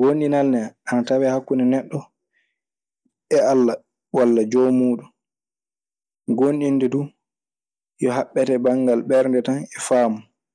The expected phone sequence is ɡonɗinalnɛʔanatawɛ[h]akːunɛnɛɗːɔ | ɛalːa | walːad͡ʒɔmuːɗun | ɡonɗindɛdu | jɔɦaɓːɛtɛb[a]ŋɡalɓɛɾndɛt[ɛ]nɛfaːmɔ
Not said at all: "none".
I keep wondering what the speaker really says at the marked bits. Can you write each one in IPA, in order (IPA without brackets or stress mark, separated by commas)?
h, a, a